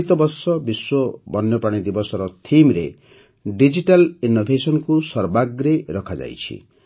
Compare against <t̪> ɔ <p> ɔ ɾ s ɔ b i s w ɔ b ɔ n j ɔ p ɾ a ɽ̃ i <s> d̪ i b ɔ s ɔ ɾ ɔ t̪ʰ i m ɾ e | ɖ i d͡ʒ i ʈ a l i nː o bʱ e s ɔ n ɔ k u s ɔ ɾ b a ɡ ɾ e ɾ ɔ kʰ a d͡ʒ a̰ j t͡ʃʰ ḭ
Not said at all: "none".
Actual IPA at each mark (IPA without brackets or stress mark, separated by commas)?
t̪, b, none